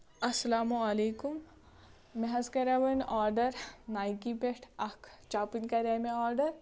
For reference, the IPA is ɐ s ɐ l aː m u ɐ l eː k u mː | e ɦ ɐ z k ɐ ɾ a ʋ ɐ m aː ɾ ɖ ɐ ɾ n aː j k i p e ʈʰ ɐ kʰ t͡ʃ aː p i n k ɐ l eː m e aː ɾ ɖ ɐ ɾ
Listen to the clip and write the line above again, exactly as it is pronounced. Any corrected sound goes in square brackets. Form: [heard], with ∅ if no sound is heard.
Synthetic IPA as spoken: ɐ s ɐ l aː m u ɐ l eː k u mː | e ɦ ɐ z k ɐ ɾ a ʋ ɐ [n] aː ɾ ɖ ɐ ɾ n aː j k i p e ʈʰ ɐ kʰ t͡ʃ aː p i n k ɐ [ɾ] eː m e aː ɾ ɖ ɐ ɾ